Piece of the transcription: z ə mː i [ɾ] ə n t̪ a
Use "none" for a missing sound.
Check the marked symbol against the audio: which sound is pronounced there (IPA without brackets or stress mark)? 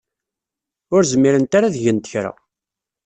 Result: ɾ